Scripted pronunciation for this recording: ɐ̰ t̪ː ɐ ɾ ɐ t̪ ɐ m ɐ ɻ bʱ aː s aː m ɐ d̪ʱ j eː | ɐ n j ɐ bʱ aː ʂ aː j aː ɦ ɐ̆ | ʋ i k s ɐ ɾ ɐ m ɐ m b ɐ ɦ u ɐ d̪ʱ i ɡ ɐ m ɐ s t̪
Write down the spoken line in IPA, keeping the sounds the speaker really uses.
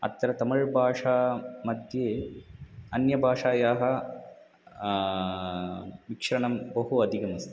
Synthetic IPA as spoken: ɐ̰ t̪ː ɐ ɾ ɐ t̪ ɐ m ɐ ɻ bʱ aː ʂ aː m ɐ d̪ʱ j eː | ɐ n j ɐ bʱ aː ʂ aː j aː ɦ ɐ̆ | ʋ i k ʂ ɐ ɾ ɐ ɳ ɐ m b ɐ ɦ u ɐ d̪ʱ i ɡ ɐ m ɐ s t̪